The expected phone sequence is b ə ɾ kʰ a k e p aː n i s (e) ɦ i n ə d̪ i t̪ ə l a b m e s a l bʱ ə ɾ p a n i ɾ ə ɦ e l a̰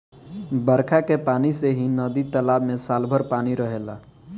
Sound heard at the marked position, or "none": e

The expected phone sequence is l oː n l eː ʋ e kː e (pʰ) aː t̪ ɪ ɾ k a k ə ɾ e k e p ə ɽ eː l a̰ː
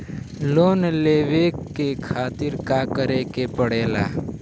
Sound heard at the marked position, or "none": kʰ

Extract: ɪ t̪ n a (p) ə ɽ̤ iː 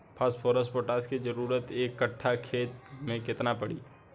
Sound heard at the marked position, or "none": p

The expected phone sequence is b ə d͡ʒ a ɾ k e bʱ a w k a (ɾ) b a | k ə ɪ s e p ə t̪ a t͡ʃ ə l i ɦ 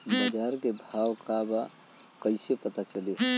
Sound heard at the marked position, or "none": none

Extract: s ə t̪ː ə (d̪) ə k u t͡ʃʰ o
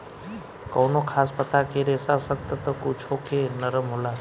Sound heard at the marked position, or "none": t̪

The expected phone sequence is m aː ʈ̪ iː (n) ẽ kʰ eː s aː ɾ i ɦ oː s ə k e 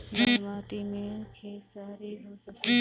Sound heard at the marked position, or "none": m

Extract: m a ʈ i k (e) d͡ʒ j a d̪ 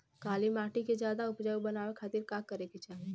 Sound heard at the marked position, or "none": e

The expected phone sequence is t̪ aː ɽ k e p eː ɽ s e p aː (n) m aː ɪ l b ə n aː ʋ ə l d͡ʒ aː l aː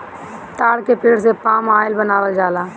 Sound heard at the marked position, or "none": none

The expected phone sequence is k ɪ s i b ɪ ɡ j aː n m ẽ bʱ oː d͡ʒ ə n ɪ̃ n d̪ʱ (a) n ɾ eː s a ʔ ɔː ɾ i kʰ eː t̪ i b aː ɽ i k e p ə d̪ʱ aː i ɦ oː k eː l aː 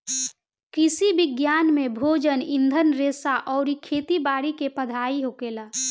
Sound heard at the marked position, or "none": ə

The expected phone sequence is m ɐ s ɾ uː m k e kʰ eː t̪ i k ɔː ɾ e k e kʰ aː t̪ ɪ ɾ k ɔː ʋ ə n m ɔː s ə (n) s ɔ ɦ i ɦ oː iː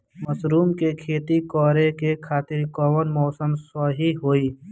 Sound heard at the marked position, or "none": m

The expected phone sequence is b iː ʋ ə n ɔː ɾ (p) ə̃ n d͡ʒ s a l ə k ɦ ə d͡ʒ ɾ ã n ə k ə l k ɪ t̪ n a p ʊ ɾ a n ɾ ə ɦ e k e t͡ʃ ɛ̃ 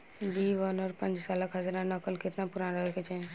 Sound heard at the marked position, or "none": p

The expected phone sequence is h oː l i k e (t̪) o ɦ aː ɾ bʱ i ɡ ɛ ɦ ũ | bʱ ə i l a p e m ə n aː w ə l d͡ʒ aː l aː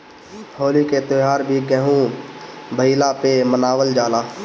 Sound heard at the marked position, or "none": t̪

